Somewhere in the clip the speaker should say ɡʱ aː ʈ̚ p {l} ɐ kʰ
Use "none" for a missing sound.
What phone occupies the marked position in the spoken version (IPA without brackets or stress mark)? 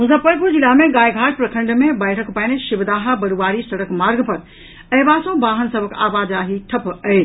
ɾ